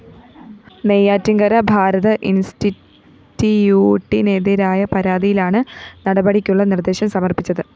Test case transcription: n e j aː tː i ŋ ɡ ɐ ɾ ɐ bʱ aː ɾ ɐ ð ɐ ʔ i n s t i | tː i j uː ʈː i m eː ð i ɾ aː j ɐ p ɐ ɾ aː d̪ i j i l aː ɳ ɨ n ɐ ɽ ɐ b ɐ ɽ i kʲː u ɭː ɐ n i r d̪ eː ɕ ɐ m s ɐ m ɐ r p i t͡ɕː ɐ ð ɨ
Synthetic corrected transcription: n e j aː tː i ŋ ɡ ɐ ɾ ɐ bʱ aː ɾ ɐ ð ɐ ʔ i n s t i | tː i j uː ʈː i n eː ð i ɾ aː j ɐ p ɐ ɾ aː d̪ i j i l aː ɳ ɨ n ɐ ɽ ɐ b ɐ ɽ i kʲː u ɭː ɐ n i r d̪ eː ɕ ɐ m s ɐ m ɐ r p i t͡ɕː ɐ ð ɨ

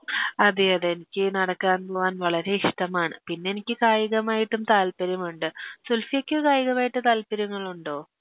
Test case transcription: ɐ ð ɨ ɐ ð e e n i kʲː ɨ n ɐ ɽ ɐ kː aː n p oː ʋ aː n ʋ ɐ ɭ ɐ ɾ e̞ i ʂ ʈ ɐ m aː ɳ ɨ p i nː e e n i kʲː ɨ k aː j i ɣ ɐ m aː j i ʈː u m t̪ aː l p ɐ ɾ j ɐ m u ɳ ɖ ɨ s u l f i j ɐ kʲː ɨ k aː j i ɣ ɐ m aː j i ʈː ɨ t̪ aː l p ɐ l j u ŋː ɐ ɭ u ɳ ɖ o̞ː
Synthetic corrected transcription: ɐ ð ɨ ɐ ð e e n i kʲː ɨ n ɐ ɽ ɐ kː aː n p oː ʋ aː n ʋ ɐ ɭ ɐ ɾ e̞ i ʂ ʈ ɐ m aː ɳ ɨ p i nː e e n i kʲː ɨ k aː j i ɣ ɐ m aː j i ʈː u m t̪ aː l p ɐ ɾ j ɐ m u ɳ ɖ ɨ s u l f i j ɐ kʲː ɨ k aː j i ɣ ɐ m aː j i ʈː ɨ t̪ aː l p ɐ ɾ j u ŋː ɐ ɭ u ɳ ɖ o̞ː

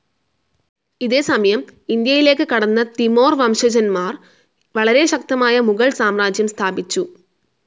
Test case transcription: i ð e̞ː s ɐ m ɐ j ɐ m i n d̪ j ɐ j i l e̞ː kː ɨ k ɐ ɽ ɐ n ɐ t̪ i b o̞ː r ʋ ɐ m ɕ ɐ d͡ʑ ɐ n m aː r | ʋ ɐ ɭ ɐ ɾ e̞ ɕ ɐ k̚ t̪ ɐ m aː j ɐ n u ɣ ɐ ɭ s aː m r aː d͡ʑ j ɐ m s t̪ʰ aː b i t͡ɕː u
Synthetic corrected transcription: i ð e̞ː s ɐ m ɐ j ɐ m i n d̪ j ɐ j i l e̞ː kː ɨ k ɐ ɽ ɐ nː ɐ t̪ i m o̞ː r ʋ ɐ m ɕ ɐ d͡ʑ ɐ n m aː r | ʋ ɐ ɭ ɐ ɾ e̞ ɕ ɐ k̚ t̪ ɐ m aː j ɐ m u ɣ ɐ ɭ s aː m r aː d͡ʑ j ɐ m s t̪ʰ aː b i t͡ɕː u

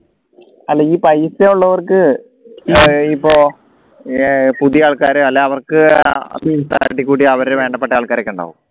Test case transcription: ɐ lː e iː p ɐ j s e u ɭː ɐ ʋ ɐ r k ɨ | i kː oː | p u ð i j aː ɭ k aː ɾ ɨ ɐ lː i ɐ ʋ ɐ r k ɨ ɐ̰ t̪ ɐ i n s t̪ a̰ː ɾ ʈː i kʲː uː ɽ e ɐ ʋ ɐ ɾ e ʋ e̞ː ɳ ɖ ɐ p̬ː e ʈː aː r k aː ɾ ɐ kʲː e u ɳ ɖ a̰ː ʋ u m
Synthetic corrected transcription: ɐ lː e iː p ɐ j s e u ɭː ɐ ʋ ɐ r k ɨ | i pː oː | p u ð i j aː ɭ k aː ɾ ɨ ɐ lː e ɐ ʋ ɐ r k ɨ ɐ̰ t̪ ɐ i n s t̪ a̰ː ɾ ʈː i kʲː uː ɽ i ɐ ʋ ɐ ɾ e ʋ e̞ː ɳ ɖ ɐ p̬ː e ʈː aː ɭ k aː ɾ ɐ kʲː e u ɳ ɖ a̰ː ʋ u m

